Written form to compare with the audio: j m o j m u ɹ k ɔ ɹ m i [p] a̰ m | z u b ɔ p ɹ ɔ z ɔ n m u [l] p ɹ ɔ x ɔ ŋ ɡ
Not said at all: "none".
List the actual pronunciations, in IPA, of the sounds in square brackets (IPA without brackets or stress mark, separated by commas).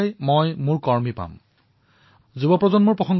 p, ɹ